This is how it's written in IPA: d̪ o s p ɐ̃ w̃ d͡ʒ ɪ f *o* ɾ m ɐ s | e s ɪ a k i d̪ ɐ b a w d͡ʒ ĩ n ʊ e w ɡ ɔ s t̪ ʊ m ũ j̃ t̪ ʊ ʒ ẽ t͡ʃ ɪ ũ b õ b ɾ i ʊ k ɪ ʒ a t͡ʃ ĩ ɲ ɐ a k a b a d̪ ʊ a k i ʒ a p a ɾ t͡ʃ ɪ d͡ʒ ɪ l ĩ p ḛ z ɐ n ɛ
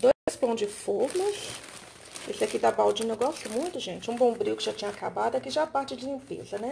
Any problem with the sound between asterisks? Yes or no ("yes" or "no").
no